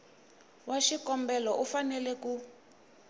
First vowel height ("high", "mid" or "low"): low